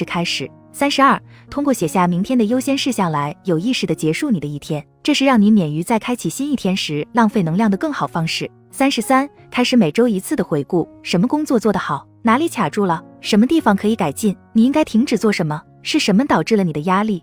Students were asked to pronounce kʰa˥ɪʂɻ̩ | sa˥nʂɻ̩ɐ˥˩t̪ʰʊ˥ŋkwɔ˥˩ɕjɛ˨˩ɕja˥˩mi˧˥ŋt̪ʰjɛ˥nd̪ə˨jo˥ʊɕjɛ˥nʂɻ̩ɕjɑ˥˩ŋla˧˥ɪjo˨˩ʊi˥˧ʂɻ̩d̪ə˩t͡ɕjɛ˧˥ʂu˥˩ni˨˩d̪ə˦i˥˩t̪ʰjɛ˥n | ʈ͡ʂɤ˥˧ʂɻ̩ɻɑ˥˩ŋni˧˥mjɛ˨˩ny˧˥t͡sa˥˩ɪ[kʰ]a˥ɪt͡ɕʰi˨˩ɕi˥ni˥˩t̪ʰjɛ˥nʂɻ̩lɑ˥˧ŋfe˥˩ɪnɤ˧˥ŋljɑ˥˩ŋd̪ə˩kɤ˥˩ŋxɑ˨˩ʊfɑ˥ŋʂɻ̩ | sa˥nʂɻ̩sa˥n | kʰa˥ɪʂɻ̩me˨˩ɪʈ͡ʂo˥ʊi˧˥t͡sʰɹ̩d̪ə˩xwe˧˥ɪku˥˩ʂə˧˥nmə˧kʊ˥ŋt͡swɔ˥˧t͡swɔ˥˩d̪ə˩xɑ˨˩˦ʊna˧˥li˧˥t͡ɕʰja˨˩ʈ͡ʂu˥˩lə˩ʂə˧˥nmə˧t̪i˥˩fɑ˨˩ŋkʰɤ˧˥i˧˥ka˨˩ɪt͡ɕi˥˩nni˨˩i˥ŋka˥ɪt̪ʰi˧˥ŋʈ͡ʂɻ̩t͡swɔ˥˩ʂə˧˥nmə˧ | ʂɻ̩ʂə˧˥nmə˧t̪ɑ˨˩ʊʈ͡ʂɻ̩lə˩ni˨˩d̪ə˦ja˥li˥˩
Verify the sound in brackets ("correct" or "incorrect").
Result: correct